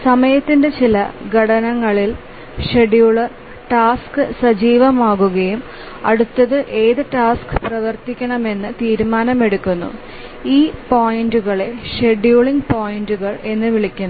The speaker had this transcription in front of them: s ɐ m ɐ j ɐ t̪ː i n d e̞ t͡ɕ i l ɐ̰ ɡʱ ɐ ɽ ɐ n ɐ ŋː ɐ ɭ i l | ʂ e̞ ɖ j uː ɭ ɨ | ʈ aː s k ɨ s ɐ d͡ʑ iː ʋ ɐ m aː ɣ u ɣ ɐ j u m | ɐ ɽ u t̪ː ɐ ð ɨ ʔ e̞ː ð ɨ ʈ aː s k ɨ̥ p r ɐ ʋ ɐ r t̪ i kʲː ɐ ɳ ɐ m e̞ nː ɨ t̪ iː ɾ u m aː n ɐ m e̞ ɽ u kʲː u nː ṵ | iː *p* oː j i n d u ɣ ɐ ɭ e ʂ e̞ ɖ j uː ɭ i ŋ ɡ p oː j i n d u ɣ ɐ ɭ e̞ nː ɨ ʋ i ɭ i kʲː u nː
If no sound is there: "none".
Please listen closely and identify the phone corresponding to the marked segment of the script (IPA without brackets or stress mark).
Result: p